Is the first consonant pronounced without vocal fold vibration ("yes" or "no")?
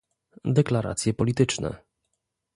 no